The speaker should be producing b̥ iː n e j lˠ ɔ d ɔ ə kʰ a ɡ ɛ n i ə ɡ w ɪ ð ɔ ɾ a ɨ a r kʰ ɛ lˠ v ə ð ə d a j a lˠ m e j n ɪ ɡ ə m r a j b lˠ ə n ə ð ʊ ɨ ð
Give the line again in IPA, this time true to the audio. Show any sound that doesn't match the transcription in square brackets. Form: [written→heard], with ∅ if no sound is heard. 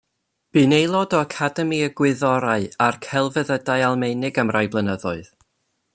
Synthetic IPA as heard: b̥ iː n e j lˠ ɔ d ɔ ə kʰ a [ɡ→d] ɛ [n→m] i ə ɡ w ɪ ð ɔ ɾ a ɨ a r kʰ ɛ lˠ v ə ð ə d a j a lˠ m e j n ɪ ɡ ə m r a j b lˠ ə n ə ð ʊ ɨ ð

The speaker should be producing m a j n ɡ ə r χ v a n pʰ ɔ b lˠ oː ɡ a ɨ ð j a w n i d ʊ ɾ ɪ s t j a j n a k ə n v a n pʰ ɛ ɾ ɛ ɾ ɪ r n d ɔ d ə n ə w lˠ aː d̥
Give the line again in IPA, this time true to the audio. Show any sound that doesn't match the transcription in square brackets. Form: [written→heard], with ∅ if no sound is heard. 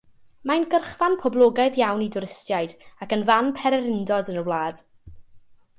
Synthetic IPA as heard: m a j n ɡ ə r χ v a n pʰ ɔ b lˠ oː ɡ a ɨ ð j a w n i d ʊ ɾ ɪ s t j a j [n→d] a k ə n v a n pʰ ɛ ɾ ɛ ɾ ɪ [r→∅] n d ɔ d ə n ə w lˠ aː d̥

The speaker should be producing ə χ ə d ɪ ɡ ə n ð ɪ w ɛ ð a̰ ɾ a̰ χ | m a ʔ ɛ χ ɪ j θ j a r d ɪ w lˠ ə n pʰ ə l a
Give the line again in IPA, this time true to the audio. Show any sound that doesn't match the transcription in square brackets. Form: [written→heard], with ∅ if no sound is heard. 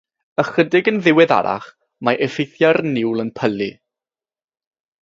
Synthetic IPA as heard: ə χ ə d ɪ ɡ ə n ð ɪ w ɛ ð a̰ ɾ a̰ χ | m a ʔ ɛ [χ→f] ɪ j θ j a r [d→n] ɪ w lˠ ə n pʰ ə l [a→i]

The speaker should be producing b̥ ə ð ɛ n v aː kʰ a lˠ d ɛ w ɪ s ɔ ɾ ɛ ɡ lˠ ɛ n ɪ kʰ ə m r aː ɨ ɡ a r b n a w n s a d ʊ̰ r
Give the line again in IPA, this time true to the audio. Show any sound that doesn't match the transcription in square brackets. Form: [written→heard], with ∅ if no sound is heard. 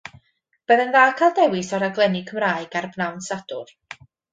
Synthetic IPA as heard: b̥ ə ð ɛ n [v→ð] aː kʰ a lˠ d ɛ w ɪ s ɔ ɾ [ɛ→a] ɡ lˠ ɛ n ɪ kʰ ə m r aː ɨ ɡ a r b n a w n s a d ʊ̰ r

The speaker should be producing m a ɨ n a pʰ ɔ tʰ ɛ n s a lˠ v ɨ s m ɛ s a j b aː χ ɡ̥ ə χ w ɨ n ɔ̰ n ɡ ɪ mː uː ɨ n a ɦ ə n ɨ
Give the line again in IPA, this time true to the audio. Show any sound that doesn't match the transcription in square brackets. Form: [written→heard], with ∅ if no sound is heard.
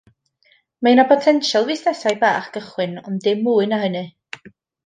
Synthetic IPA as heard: m a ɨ n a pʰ ɔ tʰ ɛ n [s→ʃ] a lˠ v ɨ s [m→n] ɛ s a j b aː χ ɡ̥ ə χ w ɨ n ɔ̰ n [ɡ→d] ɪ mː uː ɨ n a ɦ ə n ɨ

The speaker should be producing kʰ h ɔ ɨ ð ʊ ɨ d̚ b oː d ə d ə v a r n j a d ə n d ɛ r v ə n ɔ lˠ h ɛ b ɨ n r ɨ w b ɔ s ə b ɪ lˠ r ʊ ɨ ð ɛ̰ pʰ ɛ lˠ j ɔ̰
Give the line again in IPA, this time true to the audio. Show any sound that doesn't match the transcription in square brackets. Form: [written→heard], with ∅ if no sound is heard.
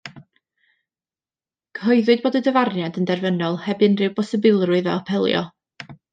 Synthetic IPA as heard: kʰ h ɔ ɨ ð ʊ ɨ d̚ b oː d ə d ə v a r n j a d ə n d ɛ r v ə n ɔ lˠ h ɛ b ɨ n r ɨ w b ɔ s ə b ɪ lˠ r ʊ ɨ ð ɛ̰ pʰ ɛ lˠ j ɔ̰

